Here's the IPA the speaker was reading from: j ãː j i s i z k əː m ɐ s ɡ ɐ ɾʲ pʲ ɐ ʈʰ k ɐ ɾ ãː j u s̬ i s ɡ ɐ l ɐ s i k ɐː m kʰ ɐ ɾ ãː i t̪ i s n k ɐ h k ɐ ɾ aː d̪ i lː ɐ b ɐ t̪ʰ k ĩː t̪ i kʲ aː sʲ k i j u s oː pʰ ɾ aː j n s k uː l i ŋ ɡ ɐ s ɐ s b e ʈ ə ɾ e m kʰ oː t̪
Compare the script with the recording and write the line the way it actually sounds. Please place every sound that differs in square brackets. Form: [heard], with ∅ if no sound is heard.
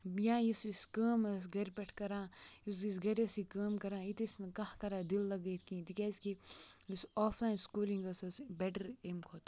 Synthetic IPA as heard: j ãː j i s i [s] k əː m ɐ s ɡ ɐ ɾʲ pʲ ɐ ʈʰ k ɐ ɾ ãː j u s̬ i s ɡ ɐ [ɾ] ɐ s i k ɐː m [k] ɐ ɾ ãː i t̪ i s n k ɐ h k ɐ ɾ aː d̪ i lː ɐ [ɡ] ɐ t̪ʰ k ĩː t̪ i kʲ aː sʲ k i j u s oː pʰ [l] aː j n s k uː l i ŋ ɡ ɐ s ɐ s b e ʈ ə ɾ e m kʰ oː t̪